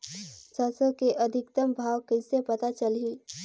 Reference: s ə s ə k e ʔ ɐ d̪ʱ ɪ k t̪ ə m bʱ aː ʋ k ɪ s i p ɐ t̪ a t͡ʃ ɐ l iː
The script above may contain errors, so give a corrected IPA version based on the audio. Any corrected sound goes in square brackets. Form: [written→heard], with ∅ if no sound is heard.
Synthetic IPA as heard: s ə s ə k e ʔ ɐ d̪ʱ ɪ k t̪ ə m bʱ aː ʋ k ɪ s [i→e] p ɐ t̪ a t͡ʃ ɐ l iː